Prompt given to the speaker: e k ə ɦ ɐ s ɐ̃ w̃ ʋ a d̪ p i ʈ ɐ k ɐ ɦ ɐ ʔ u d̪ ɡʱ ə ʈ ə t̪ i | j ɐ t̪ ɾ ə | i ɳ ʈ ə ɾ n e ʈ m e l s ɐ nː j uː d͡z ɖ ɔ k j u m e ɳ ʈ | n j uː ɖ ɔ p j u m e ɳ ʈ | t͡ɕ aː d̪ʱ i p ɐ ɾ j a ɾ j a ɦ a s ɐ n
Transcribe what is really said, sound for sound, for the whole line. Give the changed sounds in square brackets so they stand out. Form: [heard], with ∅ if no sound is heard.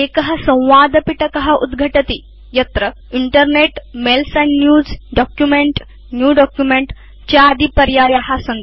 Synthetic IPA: e k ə ɦ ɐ s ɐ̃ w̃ ʋ a d̪ p i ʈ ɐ k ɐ ɦ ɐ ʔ u d̪ ɡʱ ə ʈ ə t̪ i | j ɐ t̪ ɾ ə | i ɳ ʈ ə ɾ n e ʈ m e l s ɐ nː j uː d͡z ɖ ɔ k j u m e ɳ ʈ | n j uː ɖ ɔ [k] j u m e ɳ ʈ | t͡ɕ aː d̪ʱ i p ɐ ɾ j a ɾ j a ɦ a s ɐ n